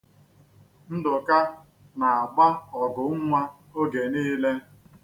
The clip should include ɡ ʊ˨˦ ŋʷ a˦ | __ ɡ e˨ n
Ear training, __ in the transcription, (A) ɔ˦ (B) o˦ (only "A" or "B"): B